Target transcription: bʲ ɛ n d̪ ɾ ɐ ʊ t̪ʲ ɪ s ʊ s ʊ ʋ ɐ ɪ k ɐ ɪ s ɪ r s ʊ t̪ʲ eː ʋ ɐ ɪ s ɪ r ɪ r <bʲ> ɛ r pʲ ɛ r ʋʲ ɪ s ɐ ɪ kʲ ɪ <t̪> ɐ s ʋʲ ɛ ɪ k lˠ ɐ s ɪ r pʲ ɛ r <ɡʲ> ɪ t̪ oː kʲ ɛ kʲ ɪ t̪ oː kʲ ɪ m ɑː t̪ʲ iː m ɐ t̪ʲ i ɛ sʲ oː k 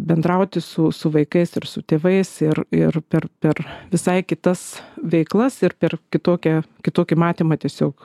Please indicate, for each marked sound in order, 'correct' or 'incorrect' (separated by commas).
incorrect, correct, incorrect